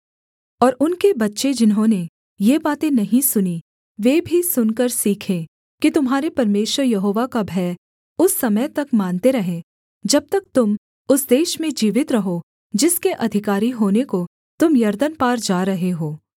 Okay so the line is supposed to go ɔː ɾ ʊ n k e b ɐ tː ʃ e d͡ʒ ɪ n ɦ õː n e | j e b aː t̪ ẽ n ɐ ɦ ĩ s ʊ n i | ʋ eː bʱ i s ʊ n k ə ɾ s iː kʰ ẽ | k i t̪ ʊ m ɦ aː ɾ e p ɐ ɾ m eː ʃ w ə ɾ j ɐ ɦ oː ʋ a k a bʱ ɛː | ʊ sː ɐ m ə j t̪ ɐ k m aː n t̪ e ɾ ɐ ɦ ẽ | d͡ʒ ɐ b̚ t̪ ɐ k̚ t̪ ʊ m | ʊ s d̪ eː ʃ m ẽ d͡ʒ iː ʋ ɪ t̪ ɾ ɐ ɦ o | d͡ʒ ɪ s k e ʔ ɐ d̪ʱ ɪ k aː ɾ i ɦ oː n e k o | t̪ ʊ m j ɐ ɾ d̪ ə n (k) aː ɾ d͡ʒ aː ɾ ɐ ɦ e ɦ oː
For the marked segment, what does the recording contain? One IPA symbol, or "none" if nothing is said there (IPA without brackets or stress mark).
p